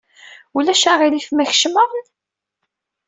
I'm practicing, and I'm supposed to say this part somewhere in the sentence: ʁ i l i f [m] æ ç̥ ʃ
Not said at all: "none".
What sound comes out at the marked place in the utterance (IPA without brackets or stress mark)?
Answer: m